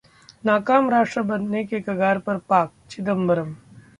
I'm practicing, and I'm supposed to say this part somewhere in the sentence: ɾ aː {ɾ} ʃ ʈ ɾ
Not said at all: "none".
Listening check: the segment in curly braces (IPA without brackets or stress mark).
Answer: none